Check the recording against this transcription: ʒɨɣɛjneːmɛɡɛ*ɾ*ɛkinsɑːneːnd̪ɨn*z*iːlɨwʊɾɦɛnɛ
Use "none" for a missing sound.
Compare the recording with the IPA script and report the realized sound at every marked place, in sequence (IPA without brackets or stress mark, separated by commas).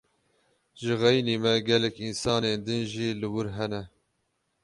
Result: l, ʒ